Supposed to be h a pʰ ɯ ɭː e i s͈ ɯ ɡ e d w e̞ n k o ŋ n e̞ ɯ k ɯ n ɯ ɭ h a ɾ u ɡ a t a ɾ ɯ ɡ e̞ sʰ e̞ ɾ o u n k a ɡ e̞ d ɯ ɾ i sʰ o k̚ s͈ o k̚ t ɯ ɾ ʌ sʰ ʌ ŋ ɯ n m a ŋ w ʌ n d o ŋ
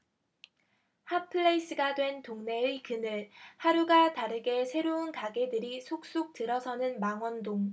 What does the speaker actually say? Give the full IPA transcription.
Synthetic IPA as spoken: h a pʰ ɯ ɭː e i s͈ ɯ ɡ a d w e̞ n t o ŋ n e̞ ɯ k ɯ n ɯ ɭ h a ɾ u ɡ a t a ɾ ɯ ɡ e̞ sʰ e̞ ɾ o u n k a ɡ e̞ d ɯ ɾ i sʰ o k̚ s͈ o k̚ t ɯ ɾ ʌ sʰ ʌ n ɯ n m a ŋ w ʌ n d o ŋ